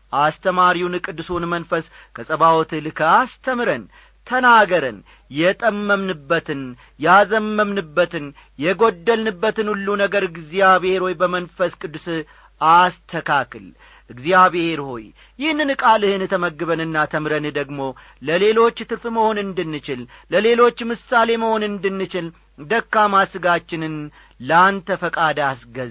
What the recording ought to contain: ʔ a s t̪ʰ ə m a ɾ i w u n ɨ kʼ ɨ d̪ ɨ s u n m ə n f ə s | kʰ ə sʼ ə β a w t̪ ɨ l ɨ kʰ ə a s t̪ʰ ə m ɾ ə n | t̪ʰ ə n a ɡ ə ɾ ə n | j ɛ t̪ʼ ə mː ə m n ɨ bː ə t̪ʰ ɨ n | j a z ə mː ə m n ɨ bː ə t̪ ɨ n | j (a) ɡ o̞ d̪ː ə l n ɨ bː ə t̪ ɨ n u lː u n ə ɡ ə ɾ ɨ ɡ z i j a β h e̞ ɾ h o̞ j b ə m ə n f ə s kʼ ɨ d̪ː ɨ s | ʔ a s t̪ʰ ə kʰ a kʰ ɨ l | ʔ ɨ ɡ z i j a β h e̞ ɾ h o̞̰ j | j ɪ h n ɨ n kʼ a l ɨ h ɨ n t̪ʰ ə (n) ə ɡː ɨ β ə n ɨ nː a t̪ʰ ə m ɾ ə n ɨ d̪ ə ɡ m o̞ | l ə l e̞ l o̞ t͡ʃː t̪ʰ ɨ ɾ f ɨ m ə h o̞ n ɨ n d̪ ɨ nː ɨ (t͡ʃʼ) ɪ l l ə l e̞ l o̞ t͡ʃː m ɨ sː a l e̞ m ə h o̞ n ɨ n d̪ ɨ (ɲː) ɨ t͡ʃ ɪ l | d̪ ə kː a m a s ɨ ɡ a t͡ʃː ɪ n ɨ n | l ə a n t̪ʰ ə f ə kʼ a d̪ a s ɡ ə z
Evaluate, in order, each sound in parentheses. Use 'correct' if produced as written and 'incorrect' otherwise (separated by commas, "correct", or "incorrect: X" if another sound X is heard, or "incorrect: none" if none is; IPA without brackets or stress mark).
incorrect: ɛ, incorrect: m, incorrect: t͡ʃ, incorrect: nː